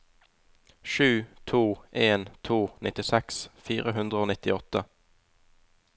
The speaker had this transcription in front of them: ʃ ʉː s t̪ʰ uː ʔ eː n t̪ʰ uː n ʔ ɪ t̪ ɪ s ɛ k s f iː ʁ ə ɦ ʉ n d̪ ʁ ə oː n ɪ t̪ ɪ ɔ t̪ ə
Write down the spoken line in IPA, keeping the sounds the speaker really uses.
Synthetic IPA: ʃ ʉː t̪ʰ uː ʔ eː n t̪ʰ uː n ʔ ɪ t̪ ɪ s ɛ k s f iː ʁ ə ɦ ʉ n d̪ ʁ ə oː n ɪ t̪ ɪ ɔ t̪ ə